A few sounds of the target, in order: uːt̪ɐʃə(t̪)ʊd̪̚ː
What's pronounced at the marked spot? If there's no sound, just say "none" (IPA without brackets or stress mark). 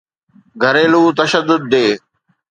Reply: d̪